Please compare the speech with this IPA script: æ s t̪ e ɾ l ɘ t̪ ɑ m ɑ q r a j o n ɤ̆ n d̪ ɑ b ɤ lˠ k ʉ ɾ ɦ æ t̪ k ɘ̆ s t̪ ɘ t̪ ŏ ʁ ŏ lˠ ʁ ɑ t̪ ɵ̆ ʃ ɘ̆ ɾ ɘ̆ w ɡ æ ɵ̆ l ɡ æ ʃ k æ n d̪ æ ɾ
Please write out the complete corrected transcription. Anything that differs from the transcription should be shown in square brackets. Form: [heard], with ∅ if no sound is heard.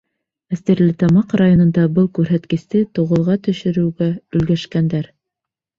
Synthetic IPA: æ s t̪ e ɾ l ɘ t̪ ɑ m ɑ q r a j o n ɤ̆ n d̪ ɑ b ɤ lˠ k ʉ ɾ ɦ æ t̪ k ɘ̆ s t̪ ɘ t̪ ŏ ʁ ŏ lˠ ʁ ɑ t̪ ɵ̆ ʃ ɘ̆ ɾ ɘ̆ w ɡ æ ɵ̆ l ɡ æ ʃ k æ n d̪ æ ɾ